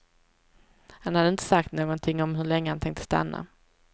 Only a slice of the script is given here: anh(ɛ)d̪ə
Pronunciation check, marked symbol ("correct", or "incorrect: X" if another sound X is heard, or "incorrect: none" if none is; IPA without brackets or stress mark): incorrect: a